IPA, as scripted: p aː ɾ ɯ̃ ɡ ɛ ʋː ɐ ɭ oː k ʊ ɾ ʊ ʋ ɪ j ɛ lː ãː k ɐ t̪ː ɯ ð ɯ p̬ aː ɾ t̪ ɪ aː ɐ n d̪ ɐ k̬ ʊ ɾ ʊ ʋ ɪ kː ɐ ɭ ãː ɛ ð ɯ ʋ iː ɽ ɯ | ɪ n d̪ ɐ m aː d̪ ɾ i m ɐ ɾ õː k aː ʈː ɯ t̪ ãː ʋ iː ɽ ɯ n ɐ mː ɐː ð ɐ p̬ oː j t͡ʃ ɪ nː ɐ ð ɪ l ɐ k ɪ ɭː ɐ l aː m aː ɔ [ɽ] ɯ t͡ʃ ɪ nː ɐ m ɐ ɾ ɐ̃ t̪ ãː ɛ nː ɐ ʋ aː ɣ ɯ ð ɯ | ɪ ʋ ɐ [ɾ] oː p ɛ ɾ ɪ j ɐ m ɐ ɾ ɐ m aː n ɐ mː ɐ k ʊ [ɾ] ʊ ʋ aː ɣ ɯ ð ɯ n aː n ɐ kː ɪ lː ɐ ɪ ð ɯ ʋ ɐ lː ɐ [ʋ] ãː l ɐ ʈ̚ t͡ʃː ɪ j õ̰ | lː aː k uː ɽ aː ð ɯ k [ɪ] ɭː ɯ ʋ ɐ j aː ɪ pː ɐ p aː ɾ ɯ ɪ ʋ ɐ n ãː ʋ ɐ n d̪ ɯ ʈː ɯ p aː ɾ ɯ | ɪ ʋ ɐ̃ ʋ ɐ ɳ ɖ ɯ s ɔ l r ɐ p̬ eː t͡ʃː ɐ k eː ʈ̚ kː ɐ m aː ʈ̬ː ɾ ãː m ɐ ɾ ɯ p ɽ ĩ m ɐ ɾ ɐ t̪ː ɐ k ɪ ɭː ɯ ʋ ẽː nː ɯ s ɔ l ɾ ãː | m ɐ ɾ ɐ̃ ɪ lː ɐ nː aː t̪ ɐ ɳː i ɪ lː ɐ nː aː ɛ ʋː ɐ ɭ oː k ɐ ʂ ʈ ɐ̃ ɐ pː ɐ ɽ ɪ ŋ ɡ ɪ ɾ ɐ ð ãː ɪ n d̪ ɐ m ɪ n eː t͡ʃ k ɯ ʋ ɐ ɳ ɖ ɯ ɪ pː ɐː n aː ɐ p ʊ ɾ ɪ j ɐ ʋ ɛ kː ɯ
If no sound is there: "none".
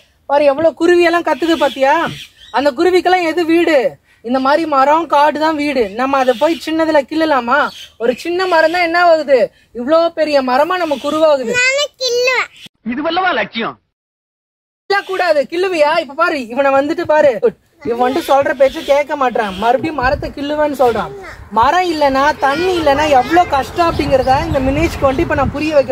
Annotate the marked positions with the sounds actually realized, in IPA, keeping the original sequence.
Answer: ɾ, ɭ, ɾ, ʋ, ɪ

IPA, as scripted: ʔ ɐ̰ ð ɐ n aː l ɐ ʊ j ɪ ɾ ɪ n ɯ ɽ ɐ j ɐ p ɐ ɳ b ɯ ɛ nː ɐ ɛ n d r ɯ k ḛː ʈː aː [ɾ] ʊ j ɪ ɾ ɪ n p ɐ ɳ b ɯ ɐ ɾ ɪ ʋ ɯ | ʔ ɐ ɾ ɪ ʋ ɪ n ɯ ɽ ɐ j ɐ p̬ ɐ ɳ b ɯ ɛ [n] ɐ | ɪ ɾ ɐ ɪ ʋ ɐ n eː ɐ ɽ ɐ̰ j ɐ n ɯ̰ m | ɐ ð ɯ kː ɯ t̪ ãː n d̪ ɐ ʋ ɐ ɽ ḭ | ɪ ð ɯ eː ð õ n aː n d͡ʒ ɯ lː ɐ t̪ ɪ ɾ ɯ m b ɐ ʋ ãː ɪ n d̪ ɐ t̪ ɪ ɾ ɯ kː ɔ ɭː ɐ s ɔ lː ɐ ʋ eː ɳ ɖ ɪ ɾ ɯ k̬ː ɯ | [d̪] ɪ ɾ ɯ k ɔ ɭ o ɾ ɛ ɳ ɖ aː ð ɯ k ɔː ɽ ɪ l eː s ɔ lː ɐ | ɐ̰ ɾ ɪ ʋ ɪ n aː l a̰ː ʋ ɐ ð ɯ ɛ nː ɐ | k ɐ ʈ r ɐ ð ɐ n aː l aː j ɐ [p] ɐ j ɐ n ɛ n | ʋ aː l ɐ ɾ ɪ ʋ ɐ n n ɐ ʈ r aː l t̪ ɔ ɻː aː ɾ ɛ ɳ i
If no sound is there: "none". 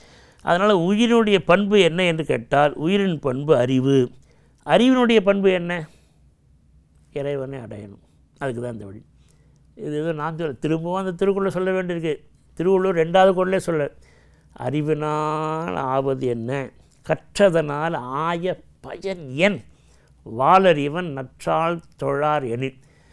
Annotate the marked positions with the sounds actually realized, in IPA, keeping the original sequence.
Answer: l, nː, t̪, p

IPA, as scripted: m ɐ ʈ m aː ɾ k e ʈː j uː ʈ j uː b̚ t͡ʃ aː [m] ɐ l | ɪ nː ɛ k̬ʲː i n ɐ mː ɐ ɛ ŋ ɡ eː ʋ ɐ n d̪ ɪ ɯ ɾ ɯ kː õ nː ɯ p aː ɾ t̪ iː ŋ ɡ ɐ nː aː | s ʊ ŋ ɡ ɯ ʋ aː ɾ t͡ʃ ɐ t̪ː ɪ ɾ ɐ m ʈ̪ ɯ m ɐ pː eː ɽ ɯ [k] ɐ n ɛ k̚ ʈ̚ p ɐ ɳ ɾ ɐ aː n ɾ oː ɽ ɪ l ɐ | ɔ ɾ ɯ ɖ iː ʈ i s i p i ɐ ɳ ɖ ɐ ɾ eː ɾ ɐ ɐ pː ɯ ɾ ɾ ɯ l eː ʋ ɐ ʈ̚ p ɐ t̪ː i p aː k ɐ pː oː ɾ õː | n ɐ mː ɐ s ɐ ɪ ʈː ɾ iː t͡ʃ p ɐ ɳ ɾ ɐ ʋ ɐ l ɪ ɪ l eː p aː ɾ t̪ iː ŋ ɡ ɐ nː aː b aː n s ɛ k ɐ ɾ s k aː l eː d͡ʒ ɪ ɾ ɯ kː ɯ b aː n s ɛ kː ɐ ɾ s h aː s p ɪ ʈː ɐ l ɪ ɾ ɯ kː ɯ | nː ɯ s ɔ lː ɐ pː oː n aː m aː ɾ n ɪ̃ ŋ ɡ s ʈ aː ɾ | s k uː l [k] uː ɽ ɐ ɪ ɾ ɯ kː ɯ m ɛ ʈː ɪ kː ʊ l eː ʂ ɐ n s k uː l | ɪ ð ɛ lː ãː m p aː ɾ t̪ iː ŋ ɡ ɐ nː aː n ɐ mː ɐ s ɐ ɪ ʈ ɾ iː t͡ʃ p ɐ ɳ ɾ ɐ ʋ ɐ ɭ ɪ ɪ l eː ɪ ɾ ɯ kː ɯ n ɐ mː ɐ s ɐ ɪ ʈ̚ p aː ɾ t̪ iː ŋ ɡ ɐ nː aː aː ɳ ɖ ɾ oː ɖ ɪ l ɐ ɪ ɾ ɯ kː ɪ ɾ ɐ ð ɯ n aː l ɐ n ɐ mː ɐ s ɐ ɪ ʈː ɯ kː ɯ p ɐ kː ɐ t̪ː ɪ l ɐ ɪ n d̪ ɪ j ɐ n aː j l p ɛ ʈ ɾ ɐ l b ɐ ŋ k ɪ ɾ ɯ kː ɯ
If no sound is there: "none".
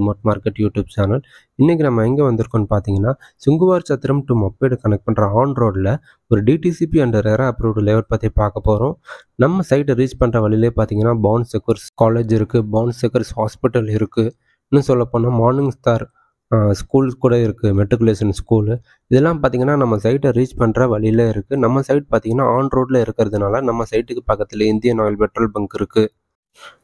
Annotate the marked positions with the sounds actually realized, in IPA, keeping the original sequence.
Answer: n, k, k

